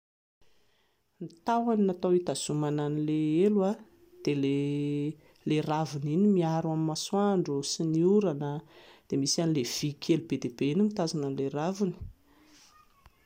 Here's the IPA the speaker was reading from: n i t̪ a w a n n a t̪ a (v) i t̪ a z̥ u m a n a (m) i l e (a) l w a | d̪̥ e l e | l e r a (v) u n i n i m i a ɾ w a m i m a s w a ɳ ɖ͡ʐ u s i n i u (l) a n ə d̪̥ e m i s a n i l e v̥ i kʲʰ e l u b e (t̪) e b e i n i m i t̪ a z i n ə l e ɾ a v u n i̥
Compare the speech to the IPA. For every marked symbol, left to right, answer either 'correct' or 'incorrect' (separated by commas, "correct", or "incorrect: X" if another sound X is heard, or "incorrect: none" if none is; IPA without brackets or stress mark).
incorrect: w, incorrect: n, incorrect: e, correct, incorrect: ɾ, incorrect: d̪